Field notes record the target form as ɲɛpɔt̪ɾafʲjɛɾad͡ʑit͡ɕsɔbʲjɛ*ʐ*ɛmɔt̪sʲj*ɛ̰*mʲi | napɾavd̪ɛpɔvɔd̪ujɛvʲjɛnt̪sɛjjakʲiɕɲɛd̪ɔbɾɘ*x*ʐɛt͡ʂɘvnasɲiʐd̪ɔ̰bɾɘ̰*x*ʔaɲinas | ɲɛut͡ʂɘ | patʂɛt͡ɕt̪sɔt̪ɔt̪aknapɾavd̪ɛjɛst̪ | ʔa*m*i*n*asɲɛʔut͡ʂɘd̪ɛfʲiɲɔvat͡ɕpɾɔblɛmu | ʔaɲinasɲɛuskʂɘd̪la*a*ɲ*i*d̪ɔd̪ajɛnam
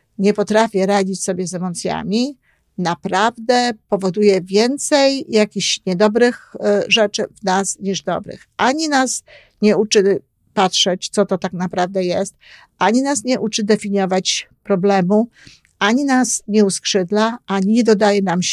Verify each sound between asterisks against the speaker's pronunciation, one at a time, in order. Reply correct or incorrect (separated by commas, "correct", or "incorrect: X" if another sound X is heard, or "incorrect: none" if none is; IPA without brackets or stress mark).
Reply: incorrect: z, incorrect: a̰, correct, correct, incorrect: ɲ, correct, correct, correct